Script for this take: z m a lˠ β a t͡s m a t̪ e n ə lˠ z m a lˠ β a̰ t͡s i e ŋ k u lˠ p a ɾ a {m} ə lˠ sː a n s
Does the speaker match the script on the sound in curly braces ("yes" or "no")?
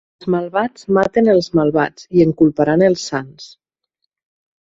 no